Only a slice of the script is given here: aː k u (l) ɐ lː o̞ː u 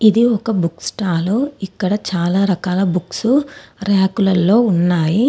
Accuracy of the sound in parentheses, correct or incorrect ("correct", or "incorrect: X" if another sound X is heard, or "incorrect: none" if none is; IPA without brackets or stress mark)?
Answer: correct